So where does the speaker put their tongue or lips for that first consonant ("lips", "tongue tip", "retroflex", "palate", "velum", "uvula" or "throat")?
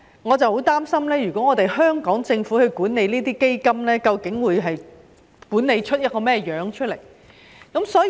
velum